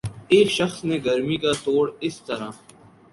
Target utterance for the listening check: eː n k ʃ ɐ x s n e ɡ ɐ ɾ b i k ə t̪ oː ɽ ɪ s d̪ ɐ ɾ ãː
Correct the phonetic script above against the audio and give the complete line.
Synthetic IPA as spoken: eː k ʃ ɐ x s n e ɡ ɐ ɾ m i k a t̪ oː ɽ ɪ s t̪ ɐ ɾ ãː